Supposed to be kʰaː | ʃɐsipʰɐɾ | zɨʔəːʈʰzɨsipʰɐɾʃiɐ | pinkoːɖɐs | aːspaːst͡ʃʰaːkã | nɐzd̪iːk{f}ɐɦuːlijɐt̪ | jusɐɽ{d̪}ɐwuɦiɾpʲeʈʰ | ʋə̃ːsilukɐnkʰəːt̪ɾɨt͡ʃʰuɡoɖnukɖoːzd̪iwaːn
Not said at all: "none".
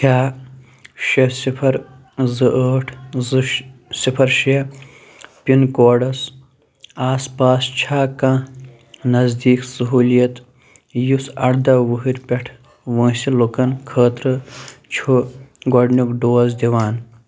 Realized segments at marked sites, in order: s, d̪

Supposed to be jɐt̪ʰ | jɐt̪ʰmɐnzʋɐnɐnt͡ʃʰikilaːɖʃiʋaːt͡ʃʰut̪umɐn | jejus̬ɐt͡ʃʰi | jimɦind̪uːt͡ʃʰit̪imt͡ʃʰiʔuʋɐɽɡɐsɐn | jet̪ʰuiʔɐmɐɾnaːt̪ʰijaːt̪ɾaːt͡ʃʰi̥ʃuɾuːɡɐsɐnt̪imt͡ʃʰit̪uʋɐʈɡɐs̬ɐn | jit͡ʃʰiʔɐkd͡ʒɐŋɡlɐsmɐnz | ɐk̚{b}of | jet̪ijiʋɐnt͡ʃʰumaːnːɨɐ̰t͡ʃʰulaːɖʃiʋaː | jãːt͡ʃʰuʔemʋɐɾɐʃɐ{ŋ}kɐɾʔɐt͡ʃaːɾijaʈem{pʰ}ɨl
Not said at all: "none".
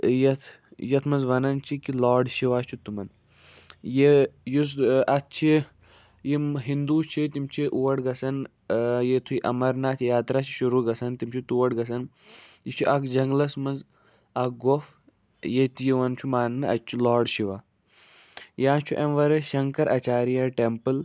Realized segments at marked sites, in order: ɡ, ŋ, p

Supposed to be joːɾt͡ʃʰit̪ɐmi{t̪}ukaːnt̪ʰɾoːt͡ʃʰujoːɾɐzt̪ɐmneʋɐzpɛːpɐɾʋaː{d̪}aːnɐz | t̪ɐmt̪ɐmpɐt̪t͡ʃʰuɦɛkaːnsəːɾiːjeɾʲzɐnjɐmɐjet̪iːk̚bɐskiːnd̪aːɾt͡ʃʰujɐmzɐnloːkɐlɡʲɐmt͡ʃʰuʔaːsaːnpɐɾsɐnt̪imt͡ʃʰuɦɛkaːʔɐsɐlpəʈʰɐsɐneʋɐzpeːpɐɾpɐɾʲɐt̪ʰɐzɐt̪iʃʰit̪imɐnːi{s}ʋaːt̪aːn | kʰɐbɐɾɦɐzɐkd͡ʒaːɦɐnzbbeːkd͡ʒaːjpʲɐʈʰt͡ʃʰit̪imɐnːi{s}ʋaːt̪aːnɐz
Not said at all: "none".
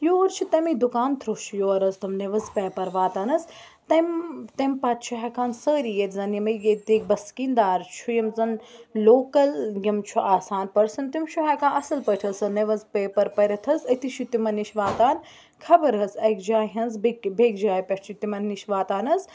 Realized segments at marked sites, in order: d̪, t̪, ʃ, ʃ

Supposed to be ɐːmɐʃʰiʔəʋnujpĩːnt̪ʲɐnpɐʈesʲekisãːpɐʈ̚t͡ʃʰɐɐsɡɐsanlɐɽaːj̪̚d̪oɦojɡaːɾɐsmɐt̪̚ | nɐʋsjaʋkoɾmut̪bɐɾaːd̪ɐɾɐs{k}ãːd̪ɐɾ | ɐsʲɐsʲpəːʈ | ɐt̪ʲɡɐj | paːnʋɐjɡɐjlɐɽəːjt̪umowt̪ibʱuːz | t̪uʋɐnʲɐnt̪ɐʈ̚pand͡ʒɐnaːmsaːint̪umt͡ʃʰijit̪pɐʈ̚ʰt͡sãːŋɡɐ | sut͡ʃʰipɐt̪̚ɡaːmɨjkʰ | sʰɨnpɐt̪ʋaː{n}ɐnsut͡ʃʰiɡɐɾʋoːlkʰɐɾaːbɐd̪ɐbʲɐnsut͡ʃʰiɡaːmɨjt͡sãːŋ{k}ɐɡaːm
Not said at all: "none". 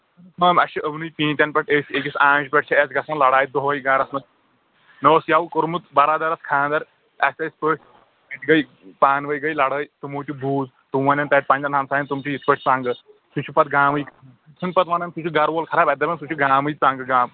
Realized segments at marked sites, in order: kʰ, n, ɡ

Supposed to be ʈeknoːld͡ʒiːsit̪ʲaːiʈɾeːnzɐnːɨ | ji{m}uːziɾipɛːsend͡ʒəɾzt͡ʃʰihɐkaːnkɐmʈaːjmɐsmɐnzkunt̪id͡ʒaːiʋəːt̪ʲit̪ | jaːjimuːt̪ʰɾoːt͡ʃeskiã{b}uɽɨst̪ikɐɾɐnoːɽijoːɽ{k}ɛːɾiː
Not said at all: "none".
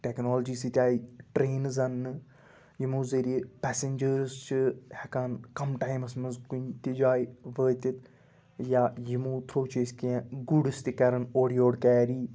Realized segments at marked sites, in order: m, ɡ, k

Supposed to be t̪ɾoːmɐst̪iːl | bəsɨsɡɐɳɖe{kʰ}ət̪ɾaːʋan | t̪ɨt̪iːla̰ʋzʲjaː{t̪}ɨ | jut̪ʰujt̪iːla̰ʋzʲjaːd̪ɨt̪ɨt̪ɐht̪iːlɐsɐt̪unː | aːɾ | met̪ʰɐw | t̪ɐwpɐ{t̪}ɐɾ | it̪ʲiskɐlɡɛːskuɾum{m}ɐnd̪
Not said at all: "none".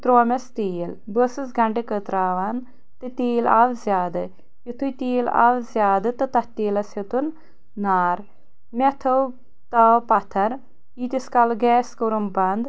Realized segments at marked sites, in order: k, d̪, t̪ʰ, b

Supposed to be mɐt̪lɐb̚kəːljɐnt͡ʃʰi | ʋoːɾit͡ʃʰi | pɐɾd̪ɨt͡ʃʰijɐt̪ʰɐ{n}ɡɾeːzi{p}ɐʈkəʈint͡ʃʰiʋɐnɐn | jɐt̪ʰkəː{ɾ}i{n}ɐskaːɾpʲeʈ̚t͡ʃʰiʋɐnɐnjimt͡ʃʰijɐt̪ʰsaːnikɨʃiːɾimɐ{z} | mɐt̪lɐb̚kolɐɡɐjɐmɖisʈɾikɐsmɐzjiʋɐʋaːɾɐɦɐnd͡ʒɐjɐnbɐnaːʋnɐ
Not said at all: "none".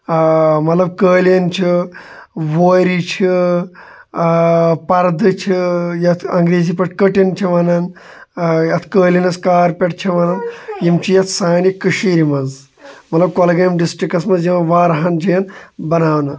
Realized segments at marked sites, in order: ŋ, p, l, n, z

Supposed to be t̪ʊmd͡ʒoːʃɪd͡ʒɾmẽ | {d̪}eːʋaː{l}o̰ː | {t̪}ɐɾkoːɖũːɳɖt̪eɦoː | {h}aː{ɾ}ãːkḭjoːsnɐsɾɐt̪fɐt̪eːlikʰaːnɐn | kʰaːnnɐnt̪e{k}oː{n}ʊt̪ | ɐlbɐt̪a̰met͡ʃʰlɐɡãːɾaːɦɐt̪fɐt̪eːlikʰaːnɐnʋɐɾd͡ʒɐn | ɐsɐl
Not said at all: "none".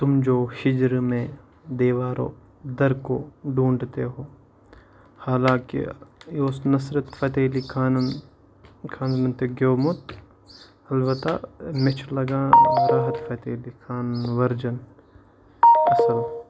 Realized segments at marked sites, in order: d̪, ɾ, d̪, h, l, ɡ, m

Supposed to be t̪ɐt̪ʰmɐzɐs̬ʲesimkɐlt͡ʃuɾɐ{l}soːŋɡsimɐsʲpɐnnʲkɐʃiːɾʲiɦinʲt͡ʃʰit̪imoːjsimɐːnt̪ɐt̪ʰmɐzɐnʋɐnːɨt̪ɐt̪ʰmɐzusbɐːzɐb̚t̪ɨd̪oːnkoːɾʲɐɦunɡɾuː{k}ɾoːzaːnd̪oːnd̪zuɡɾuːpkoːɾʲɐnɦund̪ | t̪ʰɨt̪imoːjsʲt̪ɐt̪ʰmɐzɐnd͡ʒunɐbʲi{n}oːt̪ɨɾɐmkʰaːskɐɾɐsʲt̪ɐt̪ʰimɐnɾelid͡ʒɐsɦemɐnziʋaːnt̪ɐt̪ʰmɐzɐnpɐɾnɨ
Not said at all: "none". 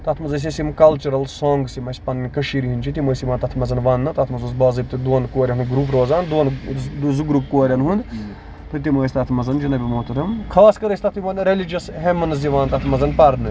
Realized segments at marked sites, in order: l, p, m

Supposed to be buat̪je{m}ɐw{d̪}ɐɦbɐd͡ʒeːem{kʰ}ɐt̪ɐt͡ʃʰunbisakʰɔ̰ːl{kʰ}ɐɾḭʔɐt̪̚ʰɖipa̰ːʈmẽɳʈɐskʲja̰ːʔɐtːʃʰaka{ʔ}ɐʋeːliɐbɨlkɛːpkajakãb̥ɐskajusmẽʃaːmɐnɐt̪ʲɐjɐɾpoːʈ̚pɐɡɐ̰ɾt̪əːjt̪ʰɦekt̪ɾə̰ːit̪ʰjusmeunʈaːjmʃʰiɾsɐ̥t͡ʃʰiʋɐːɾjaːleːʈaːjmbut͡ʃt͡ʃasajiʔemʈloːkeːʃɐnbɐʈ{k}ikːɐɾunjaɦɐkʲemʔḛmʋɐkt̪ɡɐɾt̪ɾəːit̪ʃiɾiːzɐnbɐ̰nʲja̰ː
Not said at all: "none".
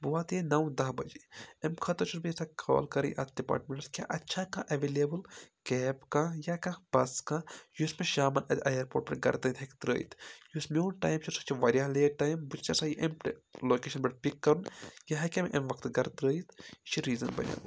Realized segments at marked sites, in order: n, d̪, kʰ, k, ʔ, p

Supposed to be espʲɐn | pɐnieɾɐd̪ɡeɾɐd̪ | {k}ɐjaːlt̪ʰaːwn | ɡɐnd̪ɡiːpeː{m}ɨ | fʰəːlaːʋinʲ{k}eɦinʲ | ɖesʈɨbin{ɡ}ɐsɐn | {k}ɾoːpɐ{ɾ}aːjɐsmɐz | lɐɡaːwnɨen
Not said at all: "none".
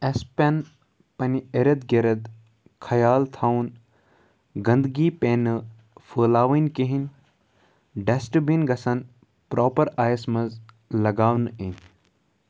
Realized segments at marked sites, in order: kʰ, n, k, ɡ, p, ɾ

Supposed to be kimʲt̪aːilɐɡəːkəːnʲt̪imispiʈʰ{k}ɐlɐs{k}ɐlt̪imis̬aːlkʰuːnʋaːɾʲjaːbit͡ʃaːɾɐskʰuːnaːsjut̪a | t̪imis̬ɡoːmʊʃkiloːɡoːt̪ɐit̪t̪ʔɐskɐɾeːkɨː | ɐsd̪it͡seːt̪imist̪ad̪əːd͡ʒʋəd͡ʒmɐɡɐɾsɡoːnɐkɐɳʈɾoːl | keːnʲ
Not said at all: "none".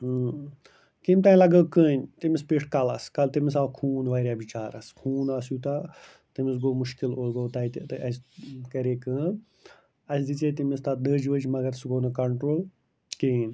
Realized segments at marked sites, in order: k, k

